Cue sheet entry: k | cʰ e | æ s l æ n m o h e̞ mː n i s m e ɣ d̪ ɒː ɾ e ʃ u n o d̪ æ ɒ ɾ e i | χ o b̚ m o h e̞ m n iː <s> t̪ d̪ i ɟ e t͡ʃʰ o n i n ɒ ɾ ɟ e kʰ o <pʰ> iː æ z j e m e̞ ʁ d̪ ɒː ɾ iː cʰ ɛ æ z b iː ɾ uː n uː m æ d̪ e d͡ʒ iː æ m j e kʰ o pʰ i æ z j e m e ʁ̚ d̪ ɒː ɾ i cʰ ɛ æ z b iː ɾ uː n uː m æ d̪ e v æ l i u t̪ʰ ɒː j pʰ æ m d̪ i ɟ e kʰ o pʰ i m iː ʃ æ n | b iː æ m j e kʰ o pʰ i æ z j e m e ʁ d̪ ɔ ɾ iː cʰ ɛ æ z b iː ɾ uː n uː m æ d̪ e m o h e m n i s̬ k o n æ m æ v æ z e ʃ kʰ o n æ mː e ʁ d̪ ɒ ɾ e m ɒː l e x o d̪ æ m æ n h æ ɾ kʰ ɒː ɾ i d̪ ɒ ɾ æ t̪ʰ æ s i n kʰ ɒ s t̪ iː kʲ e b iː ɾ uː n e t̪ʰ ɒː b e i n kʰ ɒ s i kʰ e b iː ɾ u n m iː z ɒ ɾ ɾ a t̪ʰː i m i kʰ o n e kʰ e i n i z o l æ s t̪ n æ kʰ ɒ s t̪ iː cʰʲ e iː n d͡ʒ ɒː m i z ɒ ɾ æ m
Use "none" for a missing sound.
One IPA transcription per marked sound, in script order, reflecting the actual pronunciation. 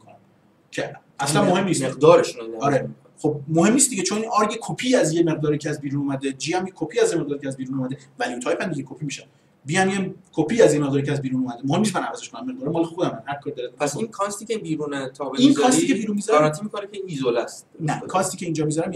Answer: s, pʰ

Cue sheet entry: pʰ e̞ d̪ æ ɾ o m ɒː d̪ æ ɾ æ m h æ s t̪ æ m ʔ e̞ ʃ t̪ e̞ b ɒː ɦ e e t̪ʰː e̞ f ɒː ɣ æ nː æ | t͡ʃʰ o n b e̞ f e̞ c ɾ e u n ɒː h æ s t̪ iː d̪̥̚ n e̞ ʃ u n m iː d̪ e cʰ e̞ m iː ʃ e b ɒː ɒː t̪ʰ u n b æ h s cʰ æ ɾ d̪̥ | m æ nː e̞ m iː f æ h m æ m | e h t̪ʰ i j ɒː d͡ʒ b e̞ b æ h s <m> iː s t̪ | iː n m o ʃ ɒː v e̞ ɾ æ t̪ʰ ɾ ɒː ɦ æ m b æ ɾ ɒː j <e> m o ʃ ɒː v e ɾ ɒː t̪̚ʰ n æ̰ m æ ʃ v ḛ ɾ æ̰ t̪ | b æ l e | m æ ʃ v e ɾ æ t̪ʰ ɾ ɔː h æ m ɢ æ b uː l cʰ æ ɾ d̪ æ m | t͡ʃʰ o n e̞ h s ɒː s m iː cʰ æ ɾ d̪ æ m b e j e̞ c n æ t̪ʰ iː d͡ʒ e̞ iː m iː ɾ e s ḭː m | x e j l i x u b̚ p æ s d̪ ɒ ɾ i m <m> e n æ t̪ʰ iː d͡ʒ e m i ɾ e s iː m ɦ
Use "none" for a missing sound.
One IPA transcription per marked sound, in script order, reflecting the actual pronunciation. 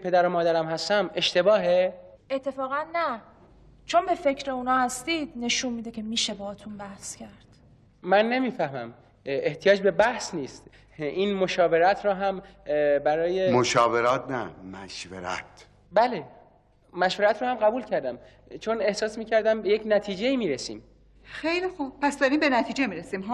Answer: n, e, b

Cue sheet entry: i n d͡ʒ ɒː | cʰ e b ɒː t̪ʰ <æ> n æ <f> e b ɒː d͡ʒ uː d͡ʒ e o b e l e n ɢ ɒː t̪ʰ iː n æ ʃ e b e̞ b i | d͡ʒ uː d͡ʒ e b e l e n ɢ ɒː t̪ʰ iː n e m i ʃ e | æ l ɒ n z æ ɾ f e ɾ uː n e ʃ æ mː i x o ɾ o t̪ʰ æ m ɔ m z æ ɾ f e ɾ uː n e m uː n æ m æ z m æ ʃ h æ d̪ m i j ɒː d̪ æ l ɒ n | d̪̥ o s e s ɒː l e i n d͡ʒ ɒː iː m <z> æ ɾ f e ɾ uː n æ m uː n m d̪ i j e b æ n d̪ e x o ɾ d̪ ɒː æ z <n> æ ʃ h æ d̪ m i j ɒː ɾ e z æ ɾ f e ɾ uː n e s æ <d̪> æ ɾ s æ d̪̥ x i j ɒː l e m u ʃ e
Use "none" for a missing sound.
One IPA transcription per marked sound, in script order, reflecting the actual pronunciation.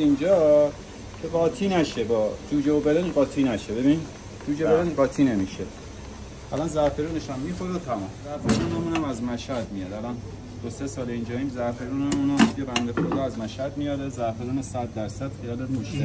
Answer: i, ʃ, z, m, d̪ː

